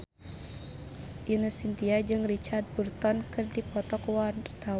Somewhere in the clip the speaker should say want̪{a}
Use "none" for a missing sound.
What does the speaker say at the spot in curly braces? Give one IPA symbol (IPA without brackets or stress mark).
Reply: a